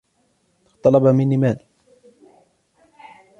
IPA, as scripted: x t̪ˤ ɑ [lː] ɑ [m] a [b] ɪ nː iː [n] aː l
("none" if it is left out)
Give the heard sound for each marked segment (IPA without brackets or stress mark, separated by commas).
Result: l, b, m, m